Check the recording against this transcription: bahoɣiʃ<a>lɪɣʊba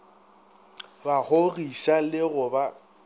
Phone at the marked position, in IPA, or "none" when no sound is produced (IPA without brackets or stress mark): a